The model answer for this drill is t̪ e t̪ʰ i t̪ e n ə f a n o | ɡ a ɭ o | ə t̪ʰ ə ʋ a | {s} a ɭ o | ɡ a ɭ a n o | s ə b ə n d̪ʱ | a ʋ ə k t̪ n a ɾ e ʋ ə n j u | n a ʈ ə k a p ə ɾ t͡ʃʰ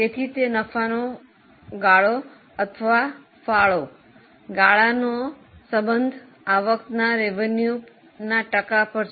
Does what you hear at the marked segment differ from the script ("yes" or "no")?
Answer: yes